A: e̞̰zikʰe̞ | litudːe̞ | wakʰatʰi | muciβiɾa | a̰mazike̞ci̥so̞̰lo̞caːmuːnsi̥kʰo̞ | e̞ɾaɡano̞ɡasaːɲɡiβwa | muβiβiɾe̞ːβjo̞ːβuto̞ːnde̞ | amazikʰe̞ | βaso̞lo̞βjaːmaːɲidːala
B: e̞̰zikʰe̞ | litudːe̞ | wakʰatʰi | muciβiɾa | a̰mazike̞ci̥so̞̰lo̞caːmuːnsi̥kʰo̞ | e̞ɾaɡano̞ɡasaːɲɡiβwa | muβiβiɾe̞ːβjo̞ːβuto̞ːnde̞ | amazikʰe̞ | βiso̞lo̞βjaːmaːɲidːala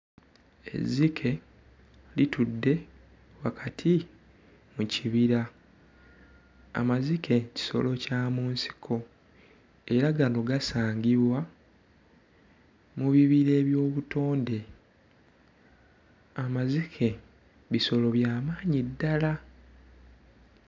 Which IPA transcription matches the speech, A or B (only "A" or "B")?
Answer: B